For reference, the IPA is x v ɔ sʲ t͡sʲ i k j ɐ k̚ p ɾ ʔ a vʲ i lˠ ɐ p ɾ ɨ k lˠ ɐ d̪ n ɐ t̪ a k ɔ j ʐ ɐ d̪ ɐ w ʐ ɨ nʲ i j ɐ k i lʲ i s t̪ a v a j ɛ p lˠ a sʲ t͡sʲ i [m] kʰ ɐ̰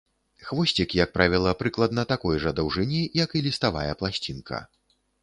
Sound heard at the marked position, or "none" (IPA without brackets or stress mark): n